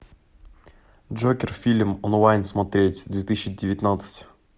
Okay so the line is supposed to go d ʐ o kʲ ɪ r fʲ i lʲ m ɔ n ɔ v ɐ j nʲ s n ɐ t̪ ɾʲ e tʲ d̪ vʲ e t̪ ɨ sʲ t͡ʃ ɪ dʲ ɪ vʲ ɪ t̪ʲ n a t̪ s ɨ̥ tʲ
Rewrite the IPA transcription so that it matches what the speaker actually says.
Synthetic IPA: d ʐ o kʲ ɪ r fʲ i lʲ m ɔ n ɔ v a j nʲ s m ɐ t̪ ɾʲ e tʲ d̪ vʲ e t̪ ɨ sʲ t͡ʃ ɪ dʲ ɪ vʲ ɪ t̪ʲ n a t̪ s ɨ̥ tʲ